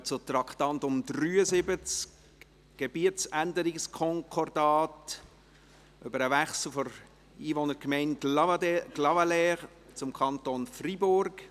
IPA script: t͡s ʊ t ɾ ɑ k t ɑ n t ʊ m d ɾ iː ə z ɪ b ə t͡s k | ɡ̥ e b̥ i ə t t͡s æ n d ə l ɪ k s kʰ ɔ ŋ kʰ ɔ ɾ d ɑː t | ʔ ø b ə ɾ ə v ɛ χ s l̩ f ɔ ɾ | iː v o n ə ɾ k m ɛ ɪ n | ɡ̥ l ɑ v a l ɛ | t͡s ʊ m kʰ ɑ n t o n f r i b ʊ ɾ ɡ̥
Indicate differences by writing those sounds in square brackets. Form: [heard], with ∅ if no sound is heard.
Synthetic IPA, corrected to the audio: t͡s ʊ t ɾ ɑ k t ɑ n t ʊ m d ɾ [yː] ə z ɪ b ə t͡s k | ɡ̥ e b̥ i ə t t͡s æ n d ə [ɾ] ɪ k s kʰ ɔ ŋ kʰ ɔ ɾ d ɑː t | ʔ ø b ə ɾ ə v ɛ χ s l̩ f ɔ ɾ | iː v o n ə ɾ k m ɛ ɪ n | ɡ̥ l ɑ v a l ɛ | t͡s ʊ m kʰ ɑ n t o n f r i b ʊ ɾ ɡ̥